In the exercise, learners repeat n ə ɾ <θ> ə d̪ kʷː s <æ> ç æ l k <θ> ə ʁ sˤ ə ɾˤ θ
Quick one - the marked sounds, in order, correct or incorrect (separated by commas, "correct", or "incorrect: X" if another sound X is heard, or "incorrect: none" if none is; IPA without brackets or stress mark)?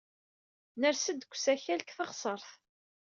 incorrect: s, correct, correct